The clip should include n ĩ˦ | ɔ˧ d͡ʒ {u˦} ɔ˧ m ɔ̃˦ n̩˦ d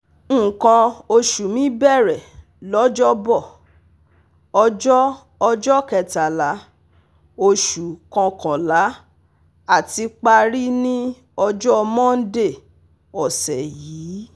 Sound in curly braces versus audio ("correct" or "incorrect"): incorrect